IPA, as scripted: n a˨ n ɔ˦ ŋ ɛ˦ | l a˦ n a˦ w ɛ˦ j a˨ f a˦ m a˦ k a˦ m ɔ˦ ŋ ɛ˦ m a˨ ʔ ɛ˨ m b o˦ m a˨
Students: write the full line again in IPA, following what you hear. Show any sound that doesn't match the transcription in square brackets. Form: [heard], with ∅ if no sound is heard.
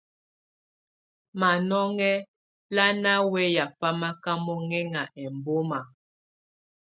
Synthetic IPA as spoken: [m] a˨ n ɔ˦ ŋ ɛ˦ | l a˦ n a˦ w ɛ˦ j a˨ f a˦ m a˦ k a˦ m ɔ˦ ŋ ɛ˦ [ŋ] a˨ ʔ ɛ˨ m b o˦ m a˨